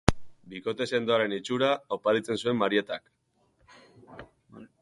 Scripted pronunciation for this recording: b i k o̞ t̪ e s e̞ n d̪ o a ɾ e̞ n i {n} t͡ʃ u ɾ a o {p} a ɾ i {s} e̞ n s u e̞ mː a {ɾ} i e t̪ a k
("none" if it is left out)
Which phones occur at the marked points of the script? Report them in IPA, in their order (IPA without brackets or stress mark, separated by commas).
none, p, t͡s, ɾ